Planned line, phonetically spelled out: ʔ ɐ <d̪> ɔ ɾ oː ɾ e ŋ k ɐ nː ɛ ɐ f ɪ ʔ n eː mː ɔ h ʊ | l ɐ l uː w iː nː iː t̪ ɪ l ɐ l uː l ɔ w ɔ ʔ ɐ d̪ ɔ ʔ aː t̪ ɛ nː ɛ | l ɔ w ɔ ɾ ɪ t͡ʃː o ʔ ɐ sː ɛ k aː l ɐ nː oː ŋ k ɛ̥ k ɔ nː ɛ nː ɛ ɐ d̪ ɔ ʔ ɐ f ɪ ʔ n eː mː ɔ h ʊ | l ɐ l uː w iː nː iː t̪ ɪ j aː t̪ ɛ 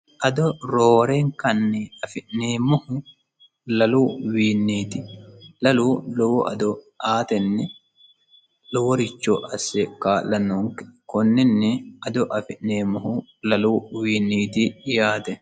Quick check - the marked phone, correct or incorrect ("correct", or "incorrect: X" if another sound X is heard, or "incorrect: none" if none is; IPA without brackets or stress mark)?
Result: correct